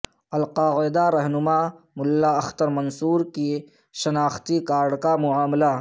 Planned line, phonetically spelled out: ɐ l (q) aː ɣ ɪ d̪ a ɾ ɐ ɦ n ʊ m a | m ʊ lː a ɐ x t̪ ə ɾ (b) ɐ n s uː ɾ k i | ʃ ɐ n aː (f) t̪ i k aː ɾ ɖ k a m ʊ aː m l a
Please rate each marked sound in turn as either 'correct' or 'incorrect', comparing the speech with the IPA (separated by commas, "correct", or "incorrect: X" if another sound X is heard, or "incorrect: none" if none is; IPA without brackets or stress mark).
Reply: correct, incorrect: m, incorrect: x